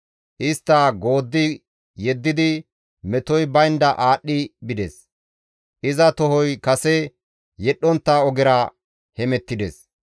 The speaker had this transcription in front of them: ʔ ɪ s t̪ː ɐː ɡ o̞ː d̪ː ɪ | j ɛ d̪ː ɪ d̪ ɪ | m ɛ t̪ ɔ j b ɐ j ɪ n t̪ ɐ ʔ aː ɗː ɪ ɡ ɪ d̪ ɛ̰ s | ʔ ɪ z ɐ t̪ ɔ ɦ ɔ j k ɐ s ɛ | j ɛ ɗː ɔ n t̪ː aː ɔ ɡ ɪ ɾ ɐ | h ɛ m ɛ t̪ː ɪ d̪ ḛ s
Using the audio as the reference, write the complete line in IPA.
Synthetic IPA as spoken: ʔ ɪ s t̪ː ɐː ɡ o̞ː d̪ː ɪ | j ɛ d̪ː ɪ d̪ ɪ | m ɛ t̪ ɔ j b ɐ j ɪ n d̪ ɐ ʔ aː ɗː ɪ b ɪ d̪ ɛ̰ s | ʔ ɪ z ɐ t̪ ɔ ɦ ɔ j k ɐ s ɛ | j ɛ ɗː ɔ n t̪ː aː ɔ ɡ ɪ ɾ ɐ | h ɛ m ɛ t̪ː ɪ d̪ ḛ s